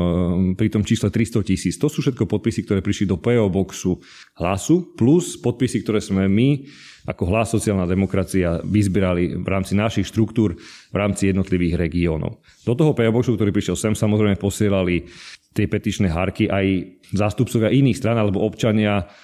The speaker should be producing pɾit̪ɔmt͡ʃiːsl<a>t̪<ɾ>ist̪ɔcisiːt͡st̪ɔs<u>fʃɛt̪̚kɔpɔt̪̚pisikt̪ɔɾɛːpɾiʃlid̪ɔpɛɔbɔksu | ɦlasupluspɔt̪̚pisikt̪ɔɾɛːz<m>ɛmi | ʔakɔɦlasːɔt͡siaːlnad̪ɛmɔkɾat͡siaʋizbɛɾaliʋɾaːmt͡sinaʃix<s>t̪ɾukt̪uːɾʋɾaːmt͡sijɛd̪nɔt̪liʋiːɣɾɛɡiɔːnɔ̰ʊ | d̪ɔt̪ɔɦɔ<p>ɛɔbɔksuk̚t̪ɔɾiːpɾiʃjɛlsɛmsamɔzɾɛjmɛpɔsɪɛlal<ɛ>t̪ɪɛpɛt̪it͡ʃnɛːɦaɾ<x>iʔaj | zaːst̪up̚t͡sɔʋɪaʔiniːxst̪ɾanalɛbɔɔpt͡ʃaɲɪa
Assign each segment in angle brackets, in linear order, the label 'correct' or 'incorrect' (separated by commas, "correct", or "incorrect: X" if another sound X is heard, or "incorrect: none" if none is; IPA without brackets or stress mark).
incorrect: ɛ, correct, incorrect: uː, correct, incorrect: ʃ, correct, incorrect: i, incorrect: k